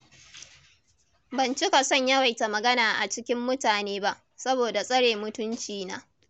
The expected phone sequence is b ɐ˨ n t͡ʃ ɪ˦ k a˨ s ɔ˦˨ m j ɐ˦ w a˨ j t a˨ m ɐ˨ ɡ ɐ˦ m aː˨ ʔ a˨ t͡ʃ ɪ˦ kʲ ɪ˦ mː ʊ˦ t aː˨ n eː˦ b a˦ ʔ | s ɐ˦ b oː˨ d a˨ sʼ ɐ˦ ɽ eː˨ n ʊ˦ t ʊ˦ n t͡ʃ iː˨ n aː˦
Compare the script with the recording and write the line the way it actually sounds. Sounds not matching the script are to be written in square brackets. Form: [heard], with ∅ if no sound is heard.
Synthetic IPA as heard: b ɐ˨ n t͡ʃ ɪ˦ k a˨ s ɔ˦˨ [ɲ] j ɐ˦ w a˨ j t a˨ m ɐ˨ ɡ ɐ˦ [n] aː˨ ʔ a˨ t͡ʃ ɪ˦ kʲ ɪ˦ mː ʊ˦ t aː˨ n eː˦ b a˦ ʔ | s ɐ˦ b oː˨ d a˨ sʼ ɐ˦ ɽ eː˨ [m] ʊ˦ t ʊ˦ n t͡ʃ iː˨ n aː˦